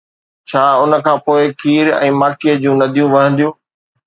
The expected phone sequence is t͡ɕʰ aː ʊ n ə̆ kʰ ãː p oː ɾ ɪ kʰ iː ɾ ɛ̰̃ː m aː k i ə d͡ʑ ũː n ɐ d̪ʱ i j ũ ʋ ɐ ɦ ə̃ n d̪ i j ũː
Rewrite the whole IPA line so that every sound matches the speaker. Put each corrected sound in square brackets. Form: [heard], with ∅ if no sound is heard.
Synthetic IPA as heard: t͡ɕʰ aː ʊ n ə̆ kʰ ãː p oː [∅] ɪ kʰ iː ɾ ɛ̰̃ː m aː k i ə d͡ʑ ũː n ɐ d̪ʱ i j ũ ʋ ɐ ɦ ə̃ n d̪ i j ũː